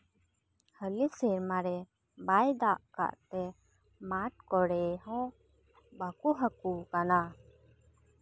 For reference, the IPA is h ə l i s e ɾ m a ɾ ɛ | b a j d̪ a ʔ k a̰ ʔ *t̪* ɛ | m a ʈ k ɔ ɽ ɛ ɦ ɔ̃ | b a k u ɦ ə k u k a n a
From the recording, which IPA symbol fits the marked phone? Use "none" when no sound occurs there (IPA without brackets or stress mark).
t̪